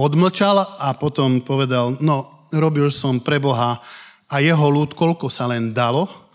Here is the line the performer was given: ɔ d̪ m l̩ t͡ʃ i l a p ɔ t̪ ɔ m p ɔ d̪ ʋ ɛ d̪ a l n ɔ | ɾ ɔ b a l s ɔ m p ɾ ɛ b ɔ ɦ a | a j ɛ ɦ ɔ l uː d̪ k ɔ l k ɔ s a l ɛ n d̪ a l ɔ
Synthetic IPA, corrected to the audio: ɔ d̪ m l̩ t͡ʃ a l a p ɔ t̪ ɔ m p ɔ ʋ ɛ d̪ a l n ɔ | ɾ ɔ b i l s ɔ m p ɾ ɛ b ɔ ɦ a | a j ɛ ɦ ɔ l uː t̪ k ɔ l k ɔ s a l ɛ n d̪ a l ɔ